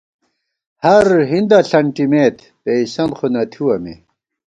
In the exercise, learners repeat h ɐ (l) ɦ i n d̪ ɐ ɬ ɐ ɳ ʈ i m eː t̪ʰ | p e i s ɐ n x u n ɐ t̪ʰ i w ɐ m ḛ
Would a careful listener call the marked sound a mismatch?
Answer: yes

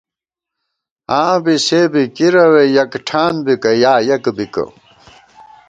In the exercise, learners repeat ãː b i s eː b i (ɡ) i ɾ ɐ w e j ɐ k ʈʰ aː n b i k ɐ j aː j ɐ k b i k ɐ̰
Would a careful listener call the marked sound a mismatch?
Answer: yes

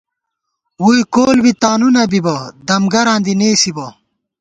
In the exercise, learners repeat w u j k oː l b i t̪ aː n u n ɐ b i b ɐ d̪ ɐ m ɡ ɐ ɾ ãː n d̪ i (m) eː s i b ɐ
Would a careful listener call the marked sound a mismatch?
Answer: yes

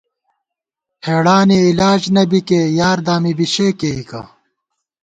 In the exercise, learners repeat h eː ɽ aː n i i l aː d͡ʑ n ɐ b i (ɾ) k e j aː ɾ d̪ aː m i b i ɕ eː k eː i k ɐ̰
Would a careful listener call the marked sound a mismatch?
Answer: yes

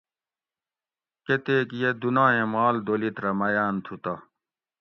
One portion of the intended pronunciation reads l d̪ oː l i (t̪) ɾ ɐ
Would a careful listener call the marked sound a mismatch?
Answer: no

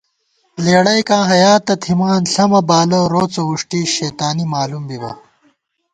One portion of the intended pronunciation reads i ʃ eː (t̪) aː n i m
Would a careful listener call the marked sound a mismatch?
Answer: no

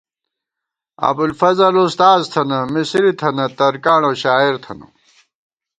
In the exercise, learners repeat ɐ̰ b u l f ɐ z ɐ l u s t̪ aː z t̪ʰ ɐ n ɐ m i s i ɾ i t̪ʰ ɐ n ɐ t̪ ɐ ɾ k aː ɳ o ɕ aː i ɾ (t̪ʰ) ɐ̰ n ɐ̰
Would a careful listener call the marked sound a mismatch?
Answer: no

